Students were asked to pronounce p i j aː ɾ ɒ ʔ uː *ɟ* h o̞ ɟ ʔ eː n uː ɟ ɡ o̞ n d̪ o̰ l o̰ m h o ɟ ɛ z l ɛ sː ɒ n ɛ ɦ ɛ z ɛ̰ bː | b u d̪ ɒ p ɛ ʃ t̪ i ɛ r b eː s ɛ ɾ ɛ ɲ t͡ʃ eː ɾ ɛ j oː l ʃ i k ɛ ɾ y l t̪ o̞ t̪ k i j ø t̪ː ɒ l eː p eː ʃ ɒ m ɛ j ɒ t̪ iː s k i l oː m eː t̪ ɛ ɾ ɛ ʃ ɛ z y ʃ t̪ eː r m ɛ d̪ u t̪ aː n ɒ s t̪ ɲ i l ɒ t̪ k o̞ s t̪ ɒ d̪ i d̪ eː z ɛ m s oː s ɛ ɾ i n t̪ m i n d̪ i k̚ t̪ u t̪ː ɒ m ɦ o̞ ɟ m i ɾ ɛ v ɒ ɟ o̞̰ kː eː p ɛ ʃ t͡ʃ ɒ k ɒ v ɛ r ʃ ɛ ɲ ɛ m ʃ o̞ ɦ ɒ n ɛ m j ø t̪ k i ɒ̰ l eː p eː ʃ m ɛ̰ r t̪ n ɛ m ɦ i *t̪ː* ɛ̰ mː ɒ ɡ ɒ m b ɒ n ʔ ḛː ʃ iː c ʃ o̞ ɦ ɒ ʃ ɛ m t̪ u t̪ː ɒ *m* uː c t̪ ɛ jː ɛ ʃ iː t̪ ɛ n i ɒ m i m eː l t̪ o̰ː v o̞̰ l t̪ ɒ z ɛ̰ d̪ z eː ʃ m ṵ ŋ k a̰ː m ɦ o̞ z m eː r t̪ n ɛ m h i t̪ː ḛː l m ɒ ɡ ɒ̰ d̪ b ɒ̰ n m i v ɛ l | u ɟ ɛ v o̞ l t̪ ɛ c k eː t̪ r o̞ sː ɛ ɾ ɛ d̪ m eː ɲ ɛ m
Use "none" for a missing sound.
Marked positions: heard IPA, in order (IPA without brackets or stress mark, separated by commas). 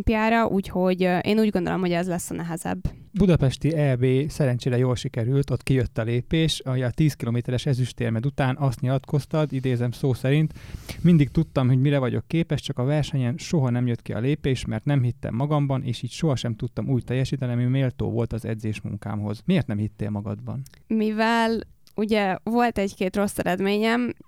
c, t̪ː, m